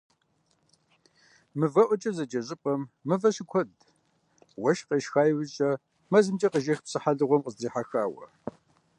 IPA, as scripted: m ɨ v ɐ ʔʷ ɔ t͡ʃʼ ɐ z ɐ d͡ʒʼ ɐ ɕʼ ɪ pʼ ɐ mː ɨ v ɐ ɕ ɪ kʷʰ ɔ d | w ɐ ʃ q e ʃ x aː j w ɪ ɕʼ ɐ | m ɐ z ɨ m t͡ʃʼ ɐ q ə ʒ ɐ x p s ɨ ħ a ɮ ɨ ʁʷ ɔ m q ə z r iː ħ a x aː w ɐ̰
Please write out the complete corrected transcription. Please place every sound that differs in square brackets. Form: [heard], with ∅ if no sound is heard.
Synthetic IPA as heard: m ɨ v ɐ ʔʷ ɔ t͡ʃʼ ɐ z ɐ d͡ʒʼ ɐ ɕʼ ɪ pʼ ɐ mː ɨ v ɐ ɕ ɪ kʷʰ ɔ d | w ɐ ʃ q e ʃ x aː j w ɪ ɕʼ ɐ | m ɐ z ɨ m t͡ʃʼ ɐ q ə ʒ ɐ x p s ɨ ħ a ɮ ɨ ʁʷ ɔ m q ə z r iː ħ a x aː w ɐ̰